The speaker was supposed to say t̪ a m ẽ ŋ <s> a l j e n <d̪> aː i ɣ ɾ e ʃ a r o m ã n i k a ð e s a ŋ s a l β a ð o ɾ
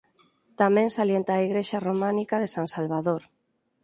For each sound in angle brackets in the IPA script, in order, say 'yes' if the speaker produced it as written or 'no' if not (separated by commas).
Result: yes, no